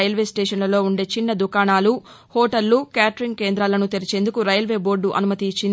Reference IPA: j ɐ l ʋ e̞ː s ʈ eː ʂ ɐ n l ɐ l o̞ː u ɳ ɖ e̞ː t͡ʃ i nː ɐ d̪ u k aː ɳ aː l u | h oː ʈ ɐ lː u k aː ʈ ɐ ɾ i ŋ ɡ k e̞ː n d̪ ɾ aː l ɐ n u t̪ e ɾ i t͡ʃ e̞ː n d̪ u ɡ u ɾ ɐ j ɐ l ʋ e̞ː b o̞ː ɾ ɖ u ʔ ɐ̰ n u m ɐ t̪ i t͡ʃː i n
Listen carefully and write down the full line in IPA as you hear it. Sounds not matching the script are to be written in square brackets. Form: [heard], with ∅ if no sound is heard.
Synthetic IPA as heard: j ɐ l ʋ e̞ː s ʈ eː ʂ ɐ n l ɐ l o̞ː u ɳ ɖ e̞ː t͡ʃ i nː ɐ d̪ u k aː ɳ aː l u | h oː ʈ ɐ lː u k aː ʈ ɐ ɾ i ŋ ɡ k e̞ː n d̪ ɾ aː l ɐ n u t̪ e ɾ i t͡ʃ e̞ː n d̪ u [k] u ɾ ɐ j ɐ l ʋ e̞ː b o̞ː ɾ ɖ u ʔ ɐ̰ n u m ɐ t̪ i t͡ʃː i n